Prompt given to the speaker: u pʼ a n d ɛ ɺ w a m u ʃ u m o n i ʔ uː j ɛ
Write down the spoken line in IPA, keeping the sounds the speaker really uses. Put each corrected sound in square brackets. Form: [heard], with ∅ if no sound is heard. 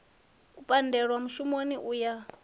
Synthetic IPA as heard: u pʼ a n d ɛ ɺ w a m u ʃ u m o n i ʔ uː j [a]

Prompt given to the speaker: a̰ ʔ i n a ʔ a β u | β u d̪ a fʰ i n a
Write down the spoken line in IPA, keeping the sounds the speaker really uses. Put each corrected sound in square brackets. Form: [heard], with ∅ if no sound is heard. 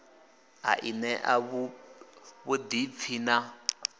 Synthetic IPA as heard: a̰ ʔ i n [ɛ] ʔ a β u | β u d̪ [i] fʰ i n a

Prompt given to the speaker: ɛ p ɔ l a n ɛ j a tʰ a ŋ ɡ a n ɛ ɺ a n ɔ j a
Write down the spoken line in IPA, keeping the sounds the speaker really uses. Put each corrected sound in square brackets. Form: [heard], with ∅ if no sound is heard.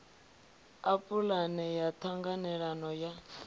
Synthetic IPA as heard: [a] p [u] l a n ɛ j a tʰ a ŋ ɡ a n ɛ ɺ a n ɔ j a

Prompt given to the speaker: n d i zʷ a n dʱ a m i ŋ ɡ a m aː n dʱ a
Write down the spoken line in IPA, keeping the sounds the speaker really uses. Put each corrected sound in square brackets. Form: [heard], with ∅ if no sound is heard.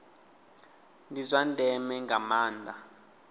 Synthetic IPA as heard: n d i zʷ a n dʱ [ɛ] m [ɛ] ŋ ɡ a m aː n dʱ a

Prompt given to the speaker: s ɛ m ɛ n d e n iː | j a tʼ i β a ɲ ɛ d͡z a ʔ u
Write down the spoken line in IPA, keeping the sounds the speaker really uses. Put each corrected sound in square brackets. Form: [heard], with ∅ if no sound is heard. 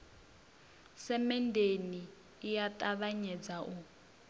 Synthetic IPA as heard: s ɛ m ɛ n d e n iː | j a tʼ [a] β a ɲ ɛ d͡z a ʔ u

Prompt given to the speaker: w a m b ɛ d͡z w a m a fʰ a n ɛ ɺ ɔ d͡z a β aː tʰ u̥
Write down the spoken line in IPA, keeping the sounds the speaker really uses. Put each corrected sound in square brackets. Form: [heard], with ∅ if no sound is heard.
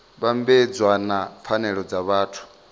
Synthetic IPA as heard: [β] a m b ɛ d͡z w a [n] a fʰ a n ɛ ɺ ɔ d͡z a β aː tʰ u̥

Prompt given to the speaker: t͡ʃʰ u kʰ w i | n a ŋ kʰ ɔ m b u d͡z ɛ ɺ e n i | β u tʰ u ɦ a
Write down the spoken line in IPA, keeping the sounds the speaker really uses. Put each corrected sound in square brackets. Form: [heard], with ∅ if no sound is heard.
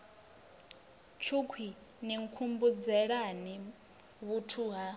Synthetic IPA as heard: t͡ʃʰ u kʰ w i | n [i] ŋ kʰ [u] m b u d͡z ɛ ɺ [a] n i | β u tʰ u ɦ a

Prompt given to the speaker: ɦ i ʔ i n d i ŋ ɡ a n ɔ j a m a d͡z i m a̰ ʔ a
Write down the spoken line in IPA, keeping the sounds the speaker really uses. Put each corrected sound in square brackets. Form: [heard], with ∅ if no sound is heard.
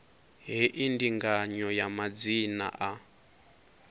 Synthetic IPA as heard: ɦ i ʔ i n d i ŋ ɡ a [ɲ] ɔ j a m a d͡z i [n] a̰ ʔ a

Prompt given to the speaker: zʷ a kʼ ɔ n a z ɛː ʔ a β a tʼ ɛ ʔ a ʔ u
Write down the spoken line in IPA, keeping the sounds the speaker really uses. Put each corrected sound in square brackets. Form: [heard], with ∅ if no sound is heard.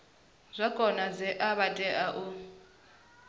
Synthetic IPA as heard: zʷ a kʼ ɔ n a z [ɛ] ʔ a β a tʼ ɛ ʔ a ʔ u

